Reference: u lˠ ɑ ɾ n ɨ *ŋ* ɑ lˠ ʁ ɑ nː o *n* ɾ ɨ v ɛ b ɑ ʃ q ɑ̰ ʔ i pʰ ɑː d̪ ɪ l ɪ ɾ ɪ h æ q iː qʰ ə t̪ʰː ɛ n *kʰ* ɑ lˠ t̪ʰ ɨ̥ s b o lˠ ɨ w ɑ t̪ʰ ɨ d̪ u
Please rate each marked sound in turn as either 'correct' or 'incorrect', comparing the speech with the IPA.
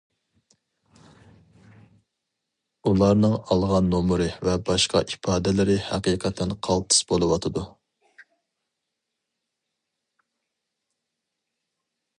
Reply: correct, incorrect, incorrect

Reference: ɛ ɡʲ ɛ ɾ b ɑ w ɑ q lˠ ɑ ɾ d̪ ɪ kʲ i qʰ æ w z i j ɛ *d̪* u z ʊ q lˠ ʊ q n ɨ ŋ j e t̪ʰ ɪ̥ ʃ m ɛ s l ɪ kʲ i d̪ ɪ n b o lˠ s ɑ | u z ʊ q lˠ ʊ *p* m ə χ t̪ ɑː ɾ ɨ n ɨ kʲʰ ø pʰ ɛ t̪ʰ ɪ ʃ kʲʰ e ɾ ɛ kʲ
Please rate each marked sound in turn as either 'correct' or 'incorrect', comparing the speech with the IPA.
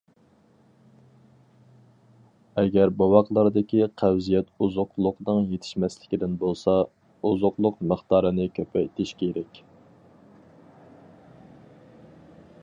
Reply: incorrect, incorrect

